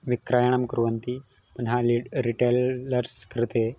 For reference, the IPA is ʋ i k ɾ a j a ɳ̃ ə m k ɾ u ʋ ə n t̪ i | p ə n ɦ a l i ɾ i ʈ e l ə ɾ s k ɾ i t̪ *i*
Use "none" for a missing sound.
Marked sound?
e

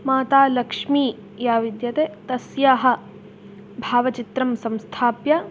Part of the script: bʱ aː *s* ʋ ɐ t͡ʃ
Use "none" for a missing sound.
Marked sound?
none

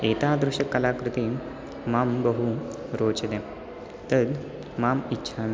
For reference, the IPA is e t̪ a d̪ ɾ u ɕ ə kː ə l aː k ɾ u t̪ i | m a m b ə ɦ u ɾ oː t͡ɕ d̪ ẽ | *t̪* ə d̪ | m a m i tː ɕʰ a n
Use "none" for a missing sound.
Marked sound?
t̪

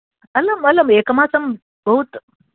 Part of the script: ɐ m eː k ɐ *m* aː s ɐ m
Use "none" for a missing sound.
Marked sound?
m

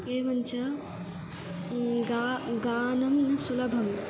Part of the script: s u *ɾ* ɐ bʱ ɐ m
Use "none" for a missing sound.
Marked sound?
l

